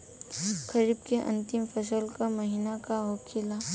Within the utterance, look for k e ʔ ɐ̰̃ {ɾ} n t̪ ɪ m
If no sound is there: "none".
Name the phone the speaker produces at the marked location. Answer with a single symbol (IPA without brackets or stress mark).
none